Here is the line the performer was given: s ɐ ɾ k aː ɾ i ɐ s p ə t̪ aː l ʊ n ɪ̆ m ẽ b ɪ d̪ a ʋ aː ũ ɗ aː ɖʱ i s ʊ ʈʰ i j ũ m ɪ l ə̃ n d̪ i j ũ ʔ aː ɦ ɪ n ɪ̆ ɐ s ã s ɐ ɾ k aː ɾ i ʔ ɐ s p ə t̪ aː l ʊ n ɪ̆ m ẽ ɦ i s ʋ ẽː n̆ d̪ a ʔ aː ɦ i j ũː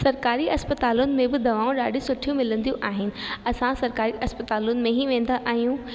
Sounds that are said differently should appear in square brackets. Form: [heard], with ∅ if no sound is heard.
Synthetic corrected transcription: s ɐ ɾ k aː ɾ i ɐ s p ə t̪ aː l ʊ n ɪ̆ m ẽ b ɪ d̪ [ɐ] ʋ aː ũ ɗ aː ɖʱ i s ʊ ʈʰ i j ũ m ɪ l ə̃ n d̪ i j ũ ʔ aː ɦ ɪ n ɪ̆ ɐ s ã s ɐ ɾ k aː ɾ i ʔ ɐ s p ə t̪ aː l ʊ n ɪ̆ m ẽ ɦ i [∅] ʋ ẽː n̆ d̪ a ʔ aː ɦ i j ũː